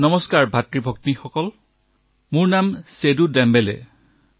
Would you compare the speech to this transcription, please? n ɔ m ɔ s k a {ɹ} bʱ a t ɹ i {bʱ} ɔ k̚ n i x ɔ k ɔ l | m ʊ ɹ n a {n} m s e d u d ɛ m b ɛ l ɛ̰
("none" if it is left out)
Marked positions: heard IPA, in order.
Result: ɹ, bʱ, none

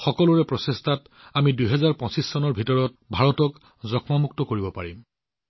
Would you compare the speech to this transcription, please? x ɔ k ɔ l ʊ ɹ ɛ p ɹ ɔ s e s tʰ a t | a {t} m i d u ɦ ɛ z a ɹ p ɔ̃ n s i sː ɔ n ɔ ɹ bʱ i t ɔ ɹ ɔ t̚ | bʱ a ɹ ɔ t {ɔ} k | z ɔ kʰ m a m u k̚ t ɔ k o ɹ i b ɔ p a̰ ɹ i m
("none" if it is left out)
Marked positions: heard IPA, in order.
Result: none, ɔ

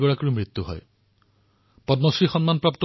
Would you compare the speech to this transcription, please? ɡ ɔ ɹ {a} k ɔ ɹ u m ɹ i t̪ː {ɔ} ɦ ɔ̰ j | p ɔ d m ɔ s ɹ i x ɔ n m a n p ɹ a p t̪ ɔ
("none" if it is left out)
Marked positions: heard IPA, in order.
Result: a, u

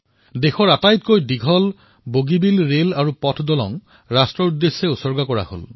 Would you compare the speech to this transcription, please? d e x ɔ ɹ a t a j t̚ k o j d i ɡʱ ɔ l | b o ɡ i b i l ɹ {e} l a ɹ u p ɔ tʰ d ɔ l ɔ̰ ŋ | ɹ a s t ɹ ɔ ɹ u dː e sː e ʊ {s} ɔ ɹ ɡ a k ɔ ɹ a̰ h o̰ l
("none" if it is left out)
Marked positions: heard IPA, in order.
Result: e, s

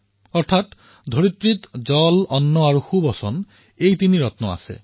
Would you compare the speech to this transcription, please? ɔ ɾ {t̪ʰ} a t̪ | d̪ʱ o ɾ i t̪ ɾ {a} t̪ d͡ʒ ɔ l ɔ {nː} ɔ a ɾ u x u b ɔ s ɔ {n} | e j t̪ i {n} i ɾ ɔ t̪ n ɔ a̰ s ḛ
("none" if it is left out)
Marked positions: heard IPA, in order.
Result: t̪ʰ, i, nː, n, n

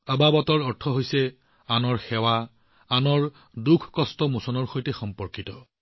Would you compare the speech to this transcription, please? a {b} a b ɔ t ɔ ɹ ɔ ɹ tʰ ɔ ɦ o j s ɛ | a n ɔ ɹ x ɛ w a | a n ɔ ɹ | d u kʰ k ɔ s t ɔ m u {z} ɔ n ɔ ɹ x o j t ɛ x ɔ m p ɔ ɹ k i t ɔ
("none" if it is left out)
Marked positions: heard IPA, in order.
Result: b, s

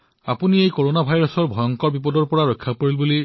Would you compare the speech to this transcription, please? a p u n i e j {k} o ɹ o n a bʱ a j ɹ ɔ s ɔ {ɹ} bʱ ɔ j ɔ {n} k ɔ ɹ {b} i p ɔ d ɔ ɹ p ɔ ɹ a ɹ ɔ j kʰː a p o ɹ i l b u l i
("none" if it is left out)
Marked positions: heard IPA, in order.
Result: k, ɹ, ŋ, b

